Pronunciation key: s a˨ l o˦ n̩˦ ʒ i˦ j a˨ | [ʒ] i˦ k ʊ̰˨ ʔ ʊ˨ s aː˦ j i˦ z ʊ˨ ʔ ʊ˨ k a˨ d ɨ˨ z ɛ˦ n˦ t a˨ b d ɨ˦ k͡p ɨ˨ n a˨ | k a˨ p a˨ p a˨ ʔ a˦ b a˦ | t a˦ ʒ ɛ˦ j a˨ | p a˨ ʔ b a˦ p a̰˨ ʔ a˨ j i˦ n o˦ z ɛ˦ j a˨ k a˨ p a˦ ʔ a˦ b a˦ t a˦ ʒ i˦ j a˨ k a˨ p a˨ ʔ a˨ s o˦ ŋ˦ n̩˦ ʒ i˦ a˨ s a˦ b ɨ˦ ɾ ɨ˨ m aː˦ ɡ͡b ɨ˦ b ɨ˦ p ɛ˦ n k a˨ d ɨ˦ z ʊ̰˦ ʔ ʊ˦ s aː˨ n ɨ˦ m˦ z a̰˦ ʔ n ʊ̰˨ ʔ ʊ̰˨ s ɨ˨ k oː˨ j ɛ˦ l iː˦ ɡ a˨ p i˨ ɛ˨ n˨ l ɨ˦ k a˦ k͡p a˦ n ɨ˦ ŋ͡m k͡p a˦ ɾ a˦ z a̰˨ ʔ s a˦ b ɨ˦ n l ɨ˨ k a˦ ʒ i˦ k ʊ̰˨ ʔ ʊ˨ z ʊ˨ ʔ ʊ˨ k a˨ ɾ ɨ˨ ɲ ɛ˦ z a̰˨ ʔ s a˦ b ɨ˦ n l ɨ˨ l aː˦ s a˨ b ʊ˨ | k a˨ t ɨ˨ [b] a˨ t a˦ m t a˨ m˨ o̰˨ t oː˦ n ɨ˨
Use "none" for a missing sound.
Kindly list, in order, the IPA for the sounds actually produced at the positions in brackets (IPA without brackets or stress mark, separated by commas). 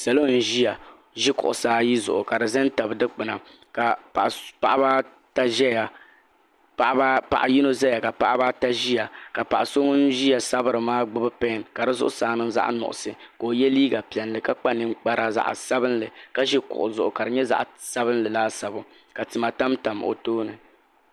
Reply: ʒ, m